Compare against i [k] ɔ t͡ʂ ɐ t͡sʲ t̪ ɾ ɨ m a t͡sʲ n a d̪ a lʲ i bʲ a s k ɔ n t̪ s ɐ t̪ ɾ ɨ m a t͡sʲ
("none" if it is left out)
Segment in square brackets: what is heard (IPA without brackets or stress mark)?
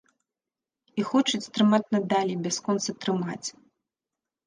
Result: x